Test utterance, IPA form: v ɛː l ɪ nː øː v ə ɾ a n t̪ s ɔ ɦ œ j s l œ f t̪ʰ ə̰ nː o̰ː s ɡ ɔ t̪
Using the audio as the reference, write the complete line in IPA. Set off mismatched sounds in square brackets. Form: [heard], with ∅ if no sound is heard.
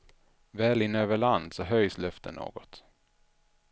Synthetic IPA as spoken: v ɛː l ɪ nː øː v ə [ɭ] a n [d̪] s ɔ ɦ œ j s l œ f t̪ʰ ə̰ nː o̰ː [∅] ɡ ɔ t̪